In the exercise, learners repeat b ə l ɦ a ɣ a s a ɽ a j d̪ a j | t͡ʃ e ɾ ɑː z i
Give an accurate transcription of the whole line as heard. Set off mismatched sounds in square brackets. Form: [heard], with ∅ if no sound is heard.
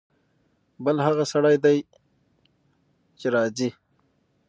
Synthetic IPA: b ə l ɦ a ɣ a s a ɽ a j d̪ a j | t͡ʃ e ɾ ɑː z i